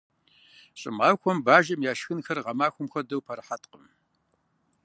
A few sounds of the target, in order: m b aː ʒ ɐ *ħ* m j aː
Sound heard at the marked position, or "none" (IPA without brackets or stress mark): none